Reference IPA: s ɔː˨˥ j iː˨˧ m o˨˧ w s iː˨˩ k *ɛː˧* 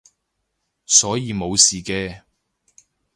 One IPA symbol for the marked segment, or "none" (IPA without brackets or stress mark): ɛː˧